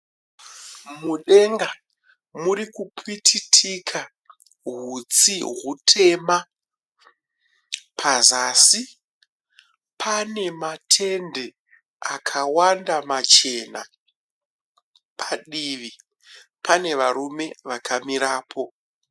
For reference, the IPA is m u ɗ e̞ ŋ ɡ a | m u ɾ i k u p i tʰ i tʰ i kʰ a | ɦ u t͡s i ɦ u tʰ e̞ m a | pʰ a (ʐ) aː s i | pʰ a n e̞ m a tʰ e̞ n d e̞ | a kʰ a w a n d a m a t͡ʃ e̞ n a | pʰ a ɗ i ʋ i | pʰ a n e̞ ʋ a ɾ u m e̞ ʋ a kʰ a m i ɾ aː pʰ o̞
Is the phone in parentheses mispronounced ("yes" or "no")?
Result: yes